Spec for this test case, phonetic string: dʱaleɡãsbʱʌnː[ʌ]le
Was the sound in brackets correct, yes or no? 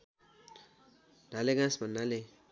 no